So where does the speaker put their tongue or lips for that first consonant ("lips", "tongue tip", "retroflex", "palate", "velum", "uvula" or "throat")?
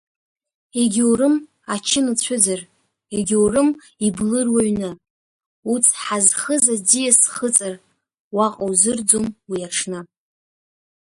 velum